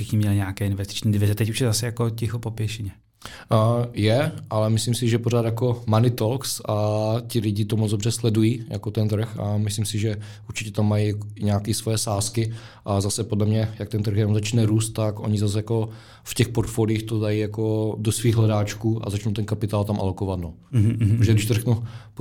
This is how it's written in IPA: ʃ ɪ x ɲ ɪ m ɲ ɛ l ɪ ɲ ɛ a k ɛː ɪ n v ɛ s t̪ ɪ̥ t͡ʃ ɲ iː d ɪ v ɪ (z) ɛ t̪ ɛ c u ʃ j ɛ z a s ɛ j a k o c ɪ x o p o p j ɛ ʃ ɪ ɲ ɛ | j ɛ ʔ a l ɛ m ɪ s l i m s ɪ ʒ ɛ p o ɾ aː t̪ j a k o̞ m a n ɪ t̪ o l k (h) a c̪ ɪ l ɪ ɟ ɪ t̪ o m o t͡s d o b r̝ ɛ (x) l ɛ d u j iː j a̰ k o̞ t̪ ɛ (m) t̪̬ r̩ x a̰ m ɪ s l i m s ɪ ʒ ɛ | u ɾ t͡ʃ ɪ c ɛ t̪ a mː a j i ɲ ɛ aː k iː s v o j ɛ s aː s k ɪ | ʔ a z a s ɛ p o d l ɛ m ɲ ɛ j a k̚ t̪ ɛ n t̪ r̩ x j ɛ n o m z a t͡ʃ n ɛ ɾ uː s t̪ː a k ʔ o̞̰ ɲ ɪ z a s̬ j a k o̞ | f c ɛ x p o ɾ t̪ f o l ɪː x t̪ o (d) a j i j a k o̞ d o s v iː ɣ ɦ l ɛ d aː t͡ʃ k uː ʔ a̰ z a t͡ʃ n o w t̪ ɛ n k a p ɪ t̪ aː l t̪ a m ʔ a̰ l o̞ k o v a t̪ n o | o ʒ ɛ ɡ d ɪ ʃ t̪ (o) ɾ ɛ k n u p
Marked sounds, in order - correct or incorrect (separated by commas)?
correct, incorrect, incorrect, incorrect, correct, correct